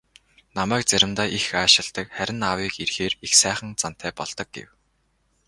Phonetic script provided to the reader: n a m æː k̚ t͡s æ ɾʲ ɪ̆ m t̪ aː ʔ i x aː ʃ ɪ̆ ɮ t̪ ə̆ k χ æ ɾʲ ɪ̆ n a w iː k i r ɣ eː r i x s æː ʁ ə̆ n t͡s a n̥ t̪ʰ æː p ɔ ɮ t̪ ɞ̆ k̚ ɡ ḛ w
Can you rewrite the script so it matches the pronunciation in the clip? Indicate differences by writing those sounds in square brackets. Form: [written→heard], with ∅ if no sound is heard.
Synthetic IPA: n a m æː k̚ t͡s æ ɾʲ ɪ̆ m t̪ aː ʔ i x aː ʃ ɪ̆ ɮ t̪ ə̆ k χ æ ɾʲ ɪ̆ n a w iː k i r [ɣ→x] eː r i x s æː [ʁ→χ] ə̆ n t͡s a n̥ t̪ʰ æː p ɔ ɮ t̪ ɞ̆ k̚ ɡ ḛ w